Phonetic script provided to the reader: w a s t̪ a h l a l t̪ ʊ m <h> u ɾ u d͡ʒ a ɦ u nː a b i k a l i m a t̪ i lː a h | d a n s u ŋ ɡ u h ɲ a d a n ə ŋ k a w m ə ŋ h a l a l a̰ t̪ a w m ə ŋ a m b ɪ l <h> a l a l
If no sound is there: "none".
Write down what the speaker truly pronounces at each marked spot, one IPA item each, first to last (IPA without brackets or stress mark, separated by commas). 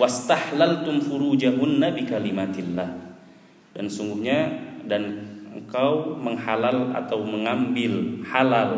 f, h